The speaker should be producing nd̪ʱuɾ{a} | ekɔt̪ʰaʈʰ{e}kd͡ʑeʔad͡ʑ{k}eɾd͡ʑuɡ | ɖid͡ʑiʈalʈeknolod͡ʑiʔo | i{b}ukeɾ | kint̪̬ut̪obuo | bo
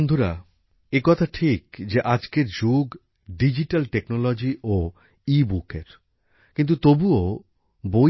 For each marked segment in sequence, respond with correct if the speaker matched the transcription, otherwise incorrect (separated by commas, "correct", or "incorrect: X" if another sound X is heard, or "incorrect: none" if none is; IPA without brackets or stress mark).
correct, incorrect: i, correct, correct